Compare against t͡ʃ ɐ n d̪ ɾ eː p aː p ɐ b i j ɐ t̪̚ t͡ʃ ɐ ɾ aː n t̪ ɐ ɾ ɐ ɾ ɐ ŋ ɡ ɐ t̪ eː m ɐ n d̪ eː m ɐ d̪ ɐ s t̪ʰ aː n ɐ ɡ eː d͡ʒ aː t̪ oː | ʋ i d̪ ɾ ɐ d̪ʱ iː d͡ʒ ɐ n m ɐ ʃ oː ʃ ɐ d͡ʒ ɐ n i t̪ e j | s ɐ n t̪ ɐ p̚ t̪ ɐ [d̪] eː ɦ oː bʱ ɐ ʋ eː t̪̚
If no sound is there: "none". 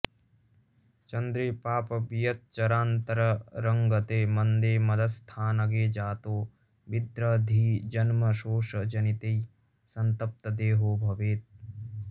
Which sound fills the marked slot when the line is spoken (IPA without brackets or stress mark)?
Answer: d̪